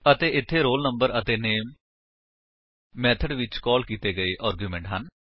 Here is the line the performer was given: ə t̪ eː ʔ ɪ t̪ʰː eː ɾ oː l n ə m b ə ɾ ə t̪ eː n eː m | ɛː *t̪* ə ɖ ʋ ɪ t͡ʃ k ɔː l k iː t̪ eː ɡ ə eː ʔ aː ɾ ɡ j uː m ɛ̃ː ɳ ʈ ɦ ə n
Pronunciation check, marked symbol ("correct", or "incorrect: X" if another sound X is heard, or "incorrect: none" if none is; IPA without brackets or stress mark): incorrect: t̪ʰ